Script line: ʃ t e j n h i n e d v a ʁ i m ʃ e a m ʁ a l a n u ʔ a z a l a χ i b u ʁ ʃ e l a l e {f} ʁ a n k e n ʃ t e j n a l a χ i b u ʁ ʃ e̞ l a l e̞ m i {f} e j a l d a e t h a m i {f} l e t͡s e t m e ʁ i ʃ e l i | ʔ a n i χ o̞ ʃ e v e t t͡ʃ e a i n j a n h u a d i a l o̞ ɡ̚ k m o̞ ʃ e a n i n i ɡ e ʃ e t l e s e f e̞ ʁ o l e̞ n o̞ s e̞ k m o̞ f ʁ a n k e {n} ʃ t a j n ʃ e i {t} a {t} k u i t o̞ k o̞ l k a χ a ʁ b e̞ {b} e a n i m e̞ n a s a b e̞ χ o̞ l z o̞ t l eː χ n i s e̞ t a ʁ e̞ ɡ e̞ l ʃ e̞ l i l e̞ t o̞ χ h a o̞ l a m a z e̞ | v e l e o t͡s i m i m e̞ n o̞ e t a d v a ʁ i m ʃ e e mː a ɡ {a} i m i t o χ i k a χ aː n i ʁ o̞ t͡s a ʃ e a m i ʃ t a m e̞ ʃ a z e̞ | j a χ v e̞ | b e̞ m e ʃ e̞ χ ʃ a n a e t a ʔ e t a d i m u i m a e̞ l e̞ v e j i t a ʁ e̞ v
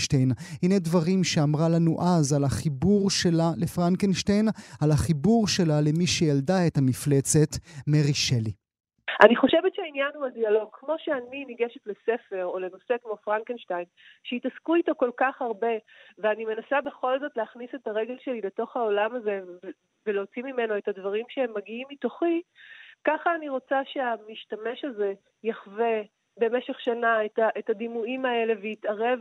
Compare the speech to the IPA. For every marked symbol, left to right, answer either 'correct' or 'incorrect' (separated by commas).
correct, incorrect, correct, correct, correct, incorrect, incorrect, incorrect